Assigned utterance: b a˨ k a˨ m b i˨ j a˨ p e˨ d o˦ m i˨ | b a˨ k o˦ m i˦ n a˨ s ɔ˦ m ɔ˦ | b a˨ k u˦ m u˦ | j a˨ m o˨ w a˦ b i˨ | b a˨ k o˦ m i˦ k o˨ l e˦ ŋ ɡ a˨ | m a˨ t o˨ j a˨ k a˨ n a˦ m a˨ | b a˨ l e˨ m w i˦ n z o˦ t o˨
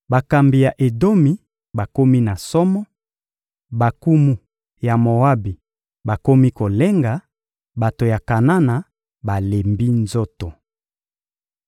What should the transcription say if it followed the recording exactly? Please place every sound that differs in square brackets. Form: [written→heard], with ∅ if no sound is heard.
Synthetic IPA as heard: b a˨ k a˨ m b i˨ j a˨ [p→ʔ] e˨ d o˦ m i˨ | b a˨ k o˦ m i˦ n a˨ s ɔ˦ m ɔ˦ | b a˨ k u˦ m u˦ | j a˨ m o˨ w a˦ b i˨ | b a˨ k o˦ m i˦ k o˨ l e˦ ŋ ɡ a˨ | [m→b] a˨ t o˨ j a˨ k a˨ n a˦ [m→n] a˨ | b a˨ l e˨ m [w→b] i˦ n z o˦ t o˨